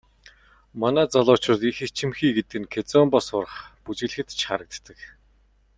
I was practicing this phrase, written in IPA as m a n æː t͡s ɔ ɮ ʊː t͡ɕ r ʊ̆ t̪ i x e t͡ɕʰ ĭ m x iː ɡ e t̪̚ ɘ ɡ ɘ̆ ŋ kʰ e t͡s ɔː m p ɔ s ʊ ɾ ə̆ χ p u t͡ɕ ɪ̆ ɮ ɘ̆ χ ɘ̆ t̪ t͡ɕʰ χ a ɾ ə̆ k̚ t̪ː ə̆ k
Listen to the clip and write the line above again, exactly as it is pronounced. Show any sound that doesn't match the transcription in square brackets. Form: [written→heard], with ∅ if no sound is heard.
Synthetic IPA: m a n æː t͡s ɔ ɮ ʊː t͡ɕ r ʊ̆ t̪ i x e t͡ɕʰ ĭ m x iː ɡ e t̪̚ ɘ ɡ ɘ̆ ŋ kʰ e t͡s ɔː m p ɔ s ʊ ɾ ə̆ χ p u t͡ɕ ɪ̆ ɮ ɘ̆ [χ→x] ɘ̆ t̪ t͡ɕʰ χ a ɾ ə̆ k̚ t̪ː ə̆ k